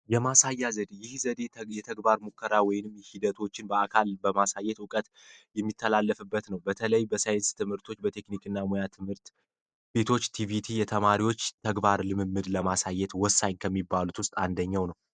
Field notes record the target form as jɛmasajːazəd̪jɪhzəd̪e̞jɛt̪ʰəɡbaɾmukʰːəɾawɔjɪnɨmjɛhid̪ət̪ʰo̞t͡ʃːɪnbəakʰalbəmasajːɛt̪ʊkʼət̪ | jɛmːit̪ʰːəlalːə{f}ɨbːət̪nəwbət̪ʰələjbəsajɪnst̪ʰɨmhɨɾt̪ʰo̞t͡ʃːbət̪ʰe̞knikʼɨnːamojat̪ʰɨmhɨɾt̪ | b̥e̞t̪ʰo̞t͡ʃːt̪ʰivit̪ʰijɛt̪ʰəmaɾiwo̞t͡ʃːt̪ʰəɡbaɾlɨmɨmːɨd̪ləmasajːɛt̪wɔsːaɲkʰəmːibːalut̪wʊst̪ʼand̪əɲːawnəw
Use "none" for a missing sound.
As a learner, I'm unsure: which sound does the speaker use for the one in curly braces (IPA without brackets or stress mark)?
f